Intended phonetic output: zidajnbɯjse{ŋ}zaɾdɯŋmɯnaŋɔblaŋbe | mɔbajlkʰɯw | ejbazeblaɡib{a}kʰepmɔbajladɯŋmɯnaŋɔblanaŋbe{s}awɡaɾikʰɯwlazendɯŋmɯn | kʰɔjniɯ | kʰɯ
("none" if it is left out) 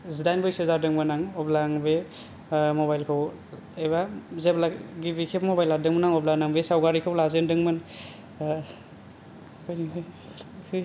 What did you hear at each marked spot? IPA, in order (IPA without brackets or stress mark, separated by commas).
none, i, s